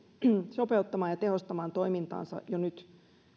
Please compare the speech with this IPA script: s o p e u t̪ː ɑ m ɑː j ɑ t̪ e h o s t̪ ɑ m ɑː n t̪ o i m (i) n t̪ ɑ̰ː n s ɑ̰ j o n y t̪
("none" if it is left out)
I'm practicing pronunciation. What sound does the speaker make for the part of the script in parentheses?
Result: i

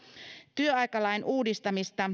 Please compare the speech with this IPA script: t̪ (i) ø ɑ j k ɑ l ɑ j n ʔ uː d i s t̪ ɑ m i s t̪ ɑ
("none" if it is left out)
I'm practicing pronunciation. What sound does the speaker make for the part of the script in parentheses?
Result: y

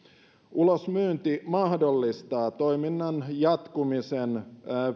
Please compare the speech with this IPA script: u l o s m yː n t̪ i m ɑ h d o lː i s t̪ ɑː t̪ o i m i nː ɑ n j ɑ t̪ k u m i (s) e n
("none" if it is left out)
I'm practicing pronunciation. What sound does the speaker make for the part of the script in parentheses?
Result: s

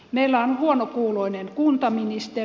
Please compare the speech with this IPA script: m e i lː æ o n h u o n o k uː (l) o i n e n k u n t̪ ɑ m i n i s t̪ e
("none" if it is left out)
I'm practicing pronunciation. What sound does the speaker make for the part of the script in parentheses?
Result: l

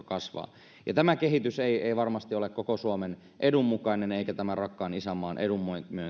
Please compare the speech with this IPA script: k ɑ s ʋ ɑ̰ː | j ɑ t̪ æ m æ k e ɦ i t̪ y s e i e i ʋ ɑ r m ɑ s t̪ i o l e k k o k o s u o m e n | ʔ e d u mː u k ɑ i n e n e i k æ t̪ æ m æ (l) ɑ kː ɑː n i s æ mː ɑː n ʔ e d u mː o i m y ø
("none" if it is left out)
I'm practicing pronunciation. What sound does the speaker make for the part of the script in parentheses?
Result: r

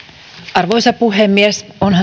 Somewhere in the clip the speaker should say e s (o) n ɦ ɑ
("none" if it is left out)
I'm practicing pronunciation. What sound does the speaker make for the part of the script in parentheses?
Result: o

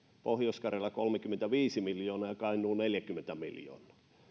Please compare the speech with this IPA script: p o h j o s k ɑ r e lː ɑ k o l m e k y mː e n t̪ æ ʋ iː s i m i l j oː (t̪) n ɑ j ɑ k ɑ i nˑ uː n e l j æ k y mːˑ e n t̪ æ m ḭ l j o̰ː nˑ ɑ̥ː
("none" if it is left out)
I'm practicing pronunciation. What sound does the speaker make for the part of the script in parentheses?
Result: none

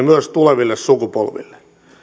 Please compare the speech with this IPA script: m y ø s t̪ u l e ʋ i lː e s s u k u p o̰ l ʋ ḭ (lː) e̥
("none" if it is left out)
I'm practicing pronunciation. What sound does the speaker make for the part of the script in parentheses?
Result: lː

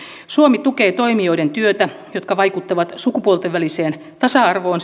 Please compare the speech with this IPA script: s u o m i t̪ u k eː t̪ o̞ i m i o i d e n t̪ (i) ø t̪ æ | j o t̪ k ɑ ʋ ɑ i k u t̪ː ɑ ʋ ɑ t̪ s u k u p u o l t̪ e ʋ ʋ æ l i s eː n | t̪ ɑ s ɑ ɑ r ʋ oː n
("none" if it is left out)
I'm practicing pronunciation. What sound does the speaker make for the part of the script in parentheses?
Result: y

